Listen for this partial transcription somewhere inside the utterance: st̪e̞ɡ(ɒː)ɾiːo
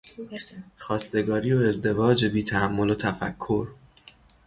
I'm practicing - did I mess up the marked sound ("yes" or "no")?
no